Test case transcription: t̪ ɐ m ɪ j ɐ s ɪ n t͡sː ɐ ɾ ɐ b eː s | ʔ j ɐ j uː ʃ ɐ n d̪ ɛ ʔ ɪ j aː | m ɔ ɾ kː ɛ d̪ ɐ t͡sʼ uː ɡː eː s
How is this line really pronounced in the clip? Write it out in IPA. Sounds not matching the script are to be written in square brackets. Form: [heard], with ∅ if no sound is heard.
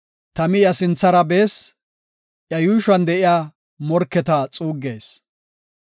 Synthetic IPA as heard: t̪ ɐ m ɪ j ɐ s ɪ n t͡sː ɐ ɾ ɐ b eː s | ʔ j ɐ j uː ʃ ɐ n d̪ ɛ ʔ ɪ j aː | m ɔ ɾ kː ɛ [t̪] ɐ t͡sʼ uː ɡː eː s